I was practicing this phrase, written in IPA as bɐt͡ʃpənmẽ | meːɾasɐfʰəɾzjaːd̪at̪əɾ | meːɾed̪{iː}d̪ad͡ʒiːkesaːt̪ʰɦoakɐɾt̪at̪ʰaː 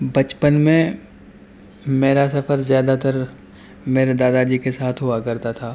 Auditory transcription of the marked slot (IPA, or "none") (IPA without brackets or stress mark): aː